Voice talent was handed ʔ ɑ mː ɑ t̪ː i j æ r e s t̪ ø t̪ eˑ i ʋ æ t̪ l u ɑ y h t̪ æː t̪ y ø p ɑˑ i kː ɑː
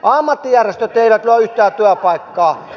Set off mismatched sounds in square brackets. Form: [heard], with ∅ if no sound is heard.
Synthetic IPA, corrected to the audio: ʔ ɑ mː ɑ t̪ː i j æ r e s t̪ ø t̪ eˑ i ʋ æ t̪ l u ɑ y h t̪ æː t̪ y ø p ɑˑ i kː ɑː

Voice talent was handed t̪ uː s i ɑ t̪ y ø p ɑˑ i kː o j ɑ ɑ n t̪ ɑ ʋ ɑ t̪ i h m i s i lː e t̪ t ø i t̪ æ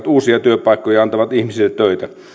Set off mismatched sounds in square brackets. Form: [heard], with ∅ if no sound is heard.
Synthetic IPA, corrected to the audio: t̪ uː s i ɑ t̪ y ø p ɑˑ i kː o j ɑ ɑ n t̪ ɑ ʋ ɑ t̪ i h m i s i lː e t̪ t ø i t̪ æ

